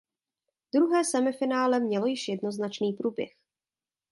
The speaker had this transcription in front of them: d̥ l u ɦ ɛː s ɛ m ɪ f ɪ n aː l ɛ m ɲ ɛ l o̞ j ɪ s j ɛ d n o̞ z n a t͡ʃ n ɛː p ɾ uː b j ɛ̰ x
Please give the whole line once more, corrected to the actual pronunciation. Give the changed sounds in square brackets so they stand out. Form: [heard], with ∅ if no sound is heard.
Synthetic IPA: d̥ [ɾ] u ɦ ɛː s ɛ m ɪ f ɪ n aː l ɛ m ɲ ɛ l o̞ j ɪ [ʃ] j ɛ d n o̞ z n a t͡ʃ n [iː] p ɾ uː b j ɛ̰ x